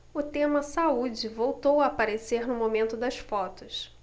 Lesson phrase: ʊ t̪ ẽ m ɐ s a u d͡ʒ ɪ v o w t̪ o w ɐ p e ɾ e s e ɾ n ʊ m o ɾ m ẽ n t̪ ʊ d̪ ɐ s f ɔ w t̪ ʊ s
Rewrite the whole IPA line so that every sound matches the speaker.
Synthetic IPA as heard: ʊ t̪ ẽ m ɐ s a u d͡ʒ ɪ v o w t̪ o w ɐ p a ɾ e s e ɾ n ʊ m o m ẽ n t̪ ʊ d̪ ɐ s f ɔ t̪ ʊ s